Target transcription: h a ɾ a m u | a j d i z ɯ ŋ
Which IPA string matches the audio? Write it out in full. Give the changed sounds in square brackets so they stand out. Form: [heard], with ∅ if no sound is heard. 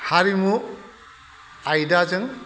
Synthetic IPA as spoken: h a ɾ [i] m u | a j d [a] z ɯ ŋ